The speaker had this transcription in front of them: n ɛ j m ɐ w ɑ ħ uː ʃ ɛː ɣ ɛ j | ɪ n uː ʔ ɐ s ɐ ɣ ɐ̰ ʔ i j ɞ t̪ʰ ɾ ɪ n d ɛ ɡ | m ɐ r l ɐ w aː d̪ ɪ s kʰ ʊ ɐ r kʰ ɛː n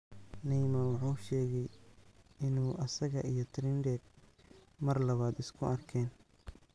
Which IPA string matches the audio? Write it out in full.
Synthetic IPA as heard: n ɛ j m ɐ w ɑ ħ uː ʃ ɛː ɣ ɛ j | ɪ n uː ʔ ɐ s ɐ ɣ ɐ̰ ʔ i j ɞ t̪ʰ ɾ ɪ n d ɛ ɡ | m ɐ r l ɐ β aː d̪ ɪ s kʰ ʊ ɐ r kʰ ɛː n

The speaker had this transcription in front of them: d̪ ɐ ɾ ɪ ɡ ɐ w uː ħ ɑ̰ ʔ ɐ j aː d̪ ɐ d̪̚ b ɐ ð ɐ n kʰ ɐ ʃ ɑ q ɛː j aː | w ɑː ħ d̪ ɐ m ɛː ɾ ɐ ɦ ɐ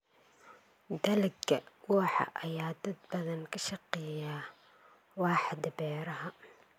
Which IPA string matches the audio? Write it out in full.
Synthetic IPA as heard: d̪ ɐ l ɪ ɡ ɐ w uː ħ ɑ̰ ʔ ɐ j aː d̪ ɐ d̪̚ b ɐ ð ɐ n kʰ ɐ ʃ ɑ q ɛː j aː | w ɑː ħ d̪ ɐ b ɛː ɾ ɐ ɦ ɐ

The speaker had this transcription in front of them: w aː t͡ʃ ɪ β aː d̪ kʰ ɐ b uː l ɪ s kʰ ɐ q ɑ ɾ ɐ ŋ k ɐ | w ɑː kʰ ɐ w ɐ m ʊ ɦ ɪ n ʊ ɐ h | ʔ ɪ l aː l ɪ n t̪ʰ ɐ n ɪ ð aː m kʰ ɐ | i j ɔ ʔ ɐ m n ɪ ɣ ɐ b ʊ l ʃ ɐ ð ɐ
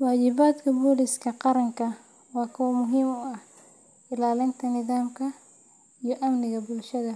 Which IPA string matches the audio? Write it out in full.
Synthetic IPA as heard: w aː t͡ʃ ɪ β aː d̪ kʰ ɐ b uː l ɪ s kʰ ɐ q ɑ ɾ ɐ ŋ k ɐ | w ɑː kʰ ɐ w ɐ m ʊ ɦ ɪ m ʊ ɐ h | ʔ ɪ l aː l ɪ n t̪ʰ ɐ n ɪ ð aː m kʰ ɐ | i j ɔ ʔ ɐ m n ɪ ɣ ɐ b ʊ l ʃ ɐ ð ɐ

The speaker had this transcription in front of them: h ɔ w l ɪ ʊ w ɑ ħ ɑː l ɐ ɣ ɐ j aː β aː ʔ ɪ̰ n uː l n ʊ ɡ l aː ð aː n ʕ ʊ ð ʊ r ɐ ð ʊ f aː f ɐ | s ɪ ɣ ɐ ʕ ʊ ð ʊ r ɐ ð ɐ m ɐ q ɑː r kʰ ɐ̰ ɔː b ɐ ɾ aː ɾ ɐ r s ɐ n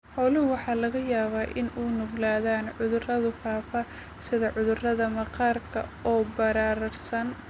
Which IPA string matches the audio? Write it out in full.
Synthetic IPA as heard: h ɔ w l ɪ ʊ w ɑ ħ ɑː l ɐ ɣ ɐ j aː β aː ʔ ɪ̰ n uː n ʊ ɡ l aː ð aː n ʕ ʊ ð ʊ r ɐ ð ʊ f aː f ɐ | s ɪ ð ɐ ʕ ʊ ð ʊ r ɐ ð ɐ m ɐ q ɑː r kʰ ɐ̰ ɔː b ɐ ɾ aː ɾ ɐ r s ɐ n

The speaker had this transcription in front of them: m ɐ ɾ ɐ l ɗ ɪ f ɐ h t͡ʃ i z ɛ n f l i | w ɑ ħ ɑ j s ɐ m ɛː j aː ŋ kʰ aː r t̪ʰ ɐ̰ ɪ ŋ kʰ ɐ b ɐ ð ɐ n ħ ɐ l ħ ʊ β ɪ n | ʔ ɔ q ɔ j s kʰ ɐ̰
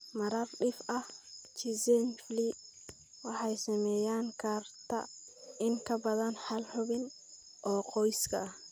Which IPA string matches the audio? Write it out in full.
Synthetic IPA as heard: m ɐ ɾ ɐ r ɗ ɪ f ɐ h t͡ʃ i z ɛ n f l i | w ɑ ħ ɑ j s ɐ m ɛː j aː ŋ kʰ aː r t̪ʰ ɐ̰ ɪ ŋ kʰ ɐ b ɐ ð ɐ n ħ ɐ l ħ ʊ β ɪ n | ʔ ɔː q ɔ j s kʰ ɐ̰

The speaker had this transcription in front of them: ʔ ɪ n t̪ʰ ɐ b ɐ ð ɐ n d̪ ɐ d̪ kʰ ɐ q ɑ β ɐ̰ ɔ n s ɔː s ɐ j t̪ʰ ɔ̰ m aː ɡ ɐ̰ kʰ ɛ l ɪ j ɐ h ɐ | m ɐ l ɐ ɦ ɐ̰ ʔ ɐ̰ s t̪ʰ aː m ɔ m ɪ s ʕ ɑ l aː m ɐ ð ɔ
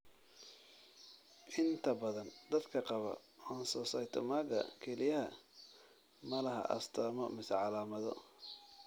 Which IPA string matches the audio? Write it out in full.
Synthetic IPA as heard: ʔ ɪ n t̪ʰ ɐ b ɐ ð ɐ n d̪ ɐ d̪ kʰ ɐ q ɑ β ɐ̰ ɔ n s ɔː s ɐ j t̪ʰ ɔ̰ m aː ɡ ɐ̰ kʰ ɛ l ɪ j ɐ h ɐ | m ɐ l ɐ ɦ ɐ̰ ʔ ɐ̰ s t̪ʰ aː m ɔ m ɪ s ʕ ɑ l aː m ɐ ð ɔ

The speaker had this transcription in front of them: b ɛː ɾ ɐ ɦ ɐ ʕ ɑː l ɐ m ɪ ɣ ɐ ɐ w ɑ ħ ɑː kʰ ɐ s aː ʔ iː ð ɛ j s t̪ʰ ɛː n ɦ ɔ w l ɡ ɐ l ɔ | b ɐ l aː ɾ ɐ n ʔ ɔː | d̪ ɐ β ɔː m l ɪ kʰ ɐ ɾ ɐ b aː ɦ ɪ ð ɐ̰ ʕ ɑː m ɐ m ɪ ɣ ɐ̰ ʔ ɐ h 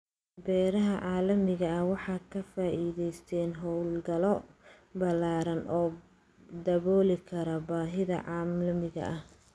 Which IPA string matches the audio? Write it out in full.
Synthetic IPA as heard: b ɛː ɾ ɐ ɦ ɐ ʕ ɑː l ɐ m ɪ ɣ ɐ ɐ w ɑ ħ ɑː kʰ ɐ f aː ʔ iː ð ɛ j s t̪ʰ ɛː n ɦ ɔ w l ɡ ɐ l ɔ | b ɐ l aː ɾ ɐ n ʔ ɔː | d̪ ɐ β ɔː l ɪ kʰ ɐ ɾ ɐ b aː ɦ ɪ ð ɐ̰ ʕ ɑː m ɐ m ɪ ɣ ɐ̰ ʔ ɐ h

